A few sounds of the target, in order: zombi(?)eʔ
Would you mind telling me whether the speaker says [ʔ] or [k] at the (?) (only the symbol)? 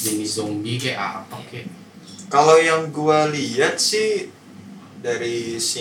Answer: k